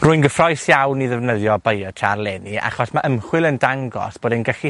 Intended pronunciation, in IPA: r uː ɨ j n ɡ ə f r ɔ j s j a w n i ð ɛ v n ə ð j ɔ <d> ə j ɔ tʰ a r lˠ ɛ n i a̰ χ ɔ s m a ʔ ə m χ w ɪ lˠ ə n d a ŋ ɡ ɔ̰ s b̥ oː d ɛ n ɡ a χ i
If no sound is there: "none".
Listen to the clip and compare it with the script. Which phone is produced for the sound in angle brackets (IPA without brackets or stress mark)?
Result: b